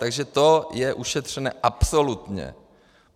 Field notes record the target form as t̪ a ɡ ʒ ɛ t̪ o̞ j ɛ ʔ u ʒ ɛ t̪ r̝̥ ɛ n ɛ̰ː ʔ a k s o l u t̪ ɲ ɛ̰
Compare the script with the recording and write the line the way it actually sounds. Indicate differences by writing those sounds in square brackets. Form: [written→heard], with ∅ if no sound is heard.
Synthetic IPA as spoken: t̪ a ɡ ʒ ɛ t̪ o̞ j ɛ ʔ u [ʒ→ʃ] ɛ t̪ r̝̥ ɛ n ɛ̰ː ʔ a [k→p] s o l u t̪ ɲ ɛ̰